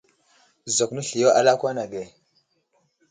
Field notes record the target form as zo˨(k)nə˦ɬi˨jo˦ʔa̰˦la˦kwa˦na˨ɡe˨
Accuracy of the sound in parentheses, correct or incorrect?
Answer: correct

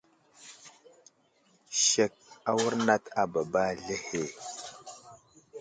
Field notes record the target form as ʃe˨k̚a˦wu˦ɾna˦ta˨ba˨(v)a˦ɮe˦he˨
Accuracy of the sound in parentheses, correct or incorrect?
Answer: incorrect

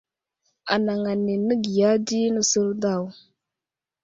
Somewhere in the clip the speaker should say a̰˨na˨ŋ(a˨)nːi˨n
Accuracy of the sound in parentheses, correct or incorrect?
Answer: correct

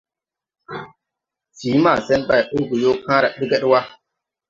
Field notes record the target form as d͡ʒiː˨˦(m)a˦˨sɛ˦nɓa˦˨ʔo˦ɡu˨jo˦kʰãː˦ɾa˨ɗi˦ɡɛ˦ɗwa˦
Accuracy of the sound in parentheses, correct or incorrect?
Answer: correct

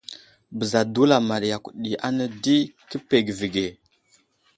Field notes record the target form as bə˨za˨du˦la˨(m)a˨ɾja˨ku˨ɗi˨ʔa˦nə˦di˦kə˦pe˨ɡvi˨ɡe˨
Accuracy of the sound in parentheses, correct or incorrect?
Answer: correct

